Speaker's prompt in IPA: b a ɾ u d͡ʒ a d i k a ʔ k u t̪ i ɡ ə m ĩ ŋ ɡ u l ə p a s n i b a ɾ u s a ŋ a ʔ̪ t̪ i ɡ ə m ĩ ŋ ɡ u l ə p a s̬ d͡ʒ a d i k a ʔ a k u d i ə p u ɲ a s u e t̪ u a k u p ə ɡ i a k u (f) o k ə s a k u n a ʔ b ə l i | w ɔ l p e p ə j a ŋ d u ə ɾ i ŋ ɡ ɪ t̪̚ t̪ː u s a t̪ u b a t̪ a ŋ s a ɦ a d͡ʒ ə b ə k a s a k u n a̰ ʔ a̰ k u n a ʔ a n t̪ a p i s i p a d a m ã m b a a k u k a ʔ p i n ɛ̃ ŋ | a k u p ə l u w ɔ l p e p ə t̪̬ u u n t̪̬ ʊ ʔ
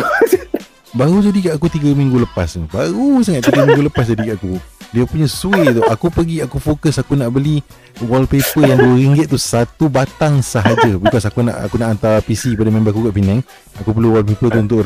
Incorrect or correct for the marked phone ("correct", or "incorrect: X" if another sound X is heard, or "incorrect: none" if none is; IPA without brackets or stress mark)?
correct